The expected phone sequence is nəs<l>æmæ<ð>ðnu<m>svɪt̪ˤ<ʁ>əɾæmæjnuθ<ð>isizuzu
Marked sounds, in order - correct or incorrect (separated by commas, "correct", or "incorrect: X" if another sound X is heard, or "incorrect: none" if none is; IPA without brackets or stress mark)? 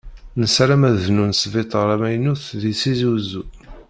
incorrect: ɾ, correct, incorrect: n, correct, correct